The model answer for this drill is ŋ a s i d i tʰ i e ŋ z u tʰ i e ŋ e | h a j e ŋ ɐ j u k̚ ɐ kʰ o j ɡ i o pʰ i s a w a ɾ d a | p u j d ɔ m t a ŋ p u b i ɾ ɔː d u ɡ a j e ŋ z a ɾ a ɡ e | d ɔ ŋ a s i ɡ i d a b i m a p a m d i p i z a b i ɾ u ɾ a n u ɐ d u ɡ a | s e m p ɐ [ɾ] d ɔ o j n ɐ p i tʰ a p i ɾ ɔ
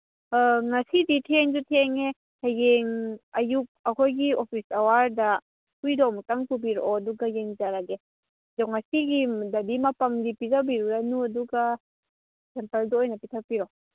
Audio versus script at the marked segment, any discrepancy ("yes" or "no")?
yes